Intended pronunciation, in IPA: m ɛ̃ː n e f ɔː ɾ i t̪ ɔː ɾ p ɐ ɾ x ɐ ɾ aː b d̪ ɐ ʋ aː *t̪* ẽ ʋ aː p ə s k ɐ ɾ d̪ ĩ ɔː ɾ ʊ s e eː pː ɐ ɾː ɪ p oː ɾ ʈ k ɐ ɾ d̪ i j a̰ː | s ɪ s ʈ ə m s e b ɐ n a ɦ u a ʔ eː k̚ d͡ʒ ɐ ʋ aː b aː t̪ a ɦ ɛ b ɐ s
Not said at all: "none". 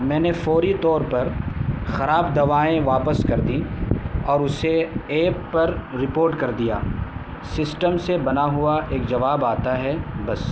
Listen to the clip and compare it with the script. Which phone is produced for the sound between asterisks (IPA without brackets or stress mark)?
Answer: none